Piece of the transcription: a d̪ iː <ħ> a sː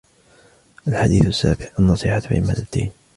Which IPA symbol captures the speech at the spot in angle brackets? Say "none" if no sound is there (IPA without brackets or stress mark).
θ